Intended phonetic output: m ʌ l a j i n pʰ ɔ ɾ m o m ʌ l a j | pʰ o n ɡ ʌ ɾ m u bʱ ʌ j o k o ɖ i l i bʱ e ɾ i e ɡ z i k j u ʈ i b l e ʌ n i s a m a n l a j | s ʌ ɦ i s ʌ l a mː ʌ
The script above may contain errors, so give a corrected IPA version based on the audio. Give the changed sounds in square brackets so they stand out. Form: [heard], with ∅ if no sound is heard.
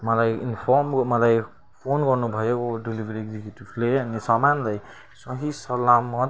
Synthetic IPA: m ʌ l a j i n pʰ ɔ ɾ m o m ʌ l a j | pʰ o n ɡ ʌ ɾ [n] u bʱ ʌ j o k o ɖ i l i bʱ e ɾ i e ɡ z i k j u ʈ i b l e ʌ n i s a m a n l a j | s ʌ ɦ i s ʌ l a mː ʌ